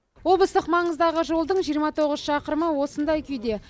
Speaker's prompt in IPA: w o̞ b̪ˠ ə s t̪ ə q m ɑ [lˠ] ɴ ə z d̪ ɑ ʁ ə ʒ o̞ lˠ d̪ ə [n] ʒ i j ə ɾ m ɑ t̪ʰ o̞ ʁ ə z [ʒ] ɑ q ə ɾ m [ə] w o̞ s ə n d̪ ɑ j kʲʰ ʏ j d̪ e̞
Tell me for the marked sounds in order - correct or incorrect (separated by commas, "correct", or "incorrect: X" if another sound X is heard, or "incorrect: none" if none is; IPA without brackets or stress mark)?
incorrect: none, incorrect: ɴ, incorrect: ʃ, correct